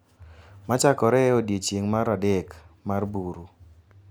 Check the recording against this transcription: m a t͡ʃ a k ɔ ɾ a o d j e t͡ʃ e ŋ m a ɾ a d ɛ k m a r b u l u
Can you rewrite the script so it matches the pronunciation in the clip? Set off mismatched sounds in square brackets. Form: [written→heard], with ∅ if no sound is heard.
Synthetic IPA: m a t͡ʃ a k ɔ ɾ [a→ɛ] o d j e t͡ʃ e ŋ m a ɾ a d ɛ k m a r b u [l→ɾ] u